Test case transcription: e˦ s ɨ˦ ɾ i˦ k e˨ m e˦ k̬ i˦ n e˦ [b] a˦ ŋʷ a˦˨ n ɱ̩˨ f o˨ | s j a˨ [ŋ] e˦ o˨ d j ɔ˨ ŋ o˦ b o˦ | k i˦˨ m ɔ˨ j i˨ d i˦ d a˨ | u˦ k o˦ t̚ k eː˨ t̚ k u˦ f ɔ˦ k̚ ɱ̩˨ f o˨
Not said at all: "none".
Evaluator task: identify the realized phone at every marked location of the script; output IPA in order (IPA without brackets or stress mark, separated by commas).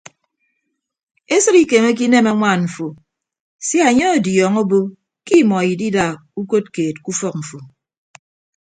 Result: m, ɲ